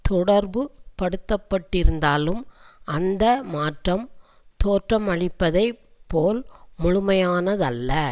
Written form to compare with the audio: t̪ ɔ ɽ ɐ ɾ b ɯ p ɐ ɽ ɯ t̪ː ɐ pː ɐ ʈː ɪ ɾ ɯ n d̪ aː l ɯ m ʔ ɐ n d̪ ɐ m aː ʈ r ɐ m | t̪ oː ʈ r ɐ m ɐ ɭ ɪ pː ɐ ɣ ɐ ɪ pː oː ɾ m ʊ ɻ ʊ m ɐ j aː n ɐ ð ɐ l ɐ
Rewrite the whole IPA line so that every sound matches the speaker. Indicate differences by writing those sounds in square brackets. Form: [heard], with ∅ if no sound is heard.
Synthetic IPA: t̪ ɔ ɽ ɐ ɾ b ɯ p ɐ ɽ ɯ t̪ː ɐ pː ɐ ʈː ɪ ɾ ɯ n d̪ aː l ɯ m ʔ ɐ n d̪ ɐ m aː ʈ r ɐ m | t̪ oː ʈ r ɐ m ɐ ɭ ɪ pː ɐ [ð] ɐ ɪ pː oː [l] m ʊ ɻ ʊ m ɐ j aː n ɐ ð ɐ [lː] ɐ